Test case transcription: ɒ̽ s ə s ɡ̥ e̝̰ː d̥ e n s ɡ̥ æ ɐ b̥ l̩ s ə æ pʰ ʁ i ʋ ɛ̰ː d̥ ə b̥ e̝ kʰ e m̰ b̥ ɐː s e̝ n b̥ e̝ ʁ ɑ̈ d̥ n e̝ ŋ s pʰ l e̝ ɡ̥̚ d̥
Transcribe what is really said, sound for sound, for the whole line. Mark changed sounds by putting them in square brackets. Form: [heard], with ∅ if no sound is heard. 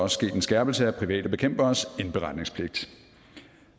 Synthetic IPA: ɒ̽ s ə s ɡ̥ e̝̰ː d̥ e n s ɡ̥ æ ɐ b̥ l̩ s ə æ pʰ ʁ i ʋ ɛ̰ː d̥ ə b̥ e̝ kʰ e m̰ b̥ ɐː s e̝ n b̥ e̝ ʁ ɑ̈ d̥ n e̝ ŋ s pʰ l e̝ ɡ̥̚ d̥